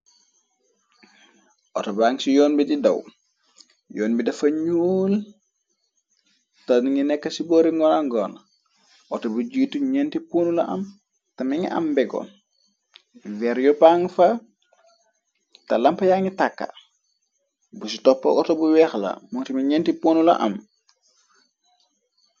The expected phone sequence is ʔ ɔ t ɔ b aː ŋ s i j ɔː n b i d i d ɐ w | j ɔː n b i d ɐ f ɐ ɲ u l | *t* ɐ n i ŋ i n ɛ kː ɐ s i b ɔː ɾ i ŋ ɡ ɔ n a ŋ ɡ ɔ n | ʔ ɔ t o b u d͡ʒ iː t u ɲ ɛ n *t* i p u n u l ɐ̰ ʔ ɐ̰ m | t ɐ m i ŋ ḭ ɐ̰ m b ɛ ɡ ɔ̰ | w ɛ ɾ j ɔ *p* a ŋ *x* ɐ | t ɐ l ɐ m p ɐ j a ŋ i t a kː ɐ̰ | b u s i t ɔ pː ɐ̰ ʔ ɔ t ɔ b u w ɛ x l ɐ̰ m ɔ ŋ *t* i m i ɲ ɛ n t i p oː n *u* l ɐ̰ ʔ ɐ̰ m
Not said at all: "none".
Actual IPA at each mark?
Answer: t, t, p, f, t, u

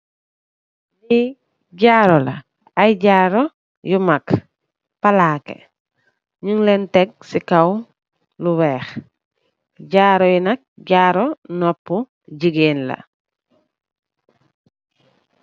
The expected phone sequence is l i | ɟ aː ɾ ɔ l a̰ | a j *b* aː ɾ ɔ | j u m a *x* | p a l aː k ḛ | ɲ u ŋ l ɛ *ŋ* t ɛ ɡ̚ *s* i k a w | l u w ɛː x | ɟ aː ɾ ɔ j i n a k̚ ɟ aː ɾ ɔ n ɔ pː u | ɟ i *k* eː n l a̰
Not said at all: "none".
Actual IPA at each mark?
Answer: ɟ, k, n, s, ɡ

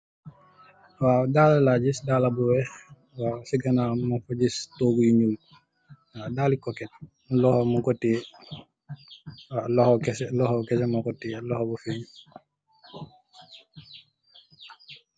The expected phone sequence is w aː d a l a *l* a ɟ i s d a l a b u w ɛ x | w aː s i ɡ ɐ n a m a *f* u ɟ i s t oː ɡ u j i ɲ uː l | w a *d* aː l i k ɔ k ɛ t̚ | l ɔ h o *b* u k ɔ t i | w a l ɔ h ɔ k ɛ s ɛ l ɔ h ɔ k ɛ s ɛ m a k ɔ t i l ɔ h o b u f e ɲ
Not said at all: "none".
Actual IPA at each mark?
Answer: l, f, d, m

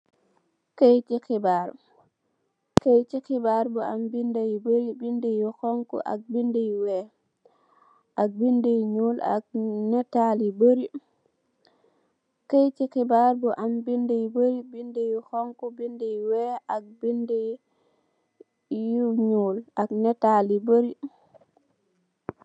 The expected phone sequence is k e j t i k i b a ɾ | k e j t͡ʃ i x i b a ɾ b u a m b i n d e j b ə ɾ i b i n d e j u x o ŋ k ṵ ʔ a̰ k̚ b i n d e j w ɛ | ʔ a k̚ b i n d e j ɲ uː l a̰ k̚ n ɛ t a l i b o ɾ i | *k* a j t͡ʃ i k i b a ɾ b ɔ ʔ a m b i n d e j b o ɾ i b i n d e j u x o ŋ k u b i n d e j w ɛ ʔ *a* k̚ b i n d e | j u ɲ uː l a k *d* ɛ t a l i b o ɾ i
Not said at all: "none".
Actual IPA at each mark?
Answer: k, a, n

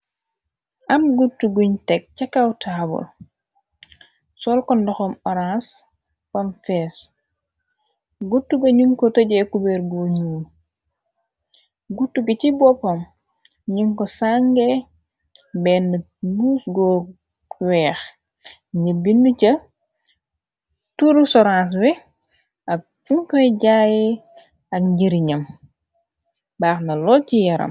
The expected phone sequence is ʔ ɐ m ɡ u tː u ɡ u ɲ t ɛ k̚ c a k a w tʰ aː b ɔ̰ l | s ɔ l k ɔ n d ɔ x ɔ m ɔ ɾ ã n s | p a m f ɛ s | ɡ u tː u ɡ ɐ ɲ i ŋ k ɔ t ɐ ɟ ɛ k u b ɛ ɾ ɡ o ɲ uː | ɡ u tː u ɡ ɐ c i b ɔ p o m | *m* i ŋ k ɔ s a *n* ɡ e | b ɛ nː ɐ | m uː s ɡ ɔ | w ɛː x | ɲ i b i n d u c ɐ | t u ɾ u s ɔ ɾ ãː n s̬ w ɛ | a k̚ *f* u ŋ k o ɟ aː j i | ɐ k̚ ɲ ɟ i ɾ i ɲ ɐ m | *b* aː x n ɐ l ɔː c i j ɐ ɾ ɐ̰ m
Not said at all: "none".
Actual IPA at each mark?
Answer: ɲ, ŋ, f, b

